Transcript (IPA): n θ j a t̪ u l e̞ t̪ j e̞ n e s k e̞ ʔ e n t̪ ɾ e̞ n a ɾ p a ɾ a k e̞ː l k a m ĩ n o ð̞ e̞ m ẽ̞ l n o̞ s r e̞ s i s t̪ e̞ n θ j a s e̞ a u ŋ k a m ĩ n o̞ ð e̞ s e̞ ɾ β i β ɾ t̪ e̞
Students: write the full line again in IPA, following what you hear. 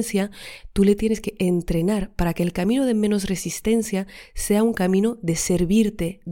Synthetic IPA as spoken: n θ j a t̪ u l e̞ t̪ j e̞ n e s k e̞ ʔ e n t̪ ɾ e̞ n a ɾ p a ɾ a k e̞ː l k a m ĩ n o ð̞ e̞ m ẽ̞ n o̞ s r e̞ s i s t̪ e̞ n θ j a s e̞ a u ŋ k a m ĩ n o̞ ð e̞ s e̞ ɾ β i ɾ t̪ e̞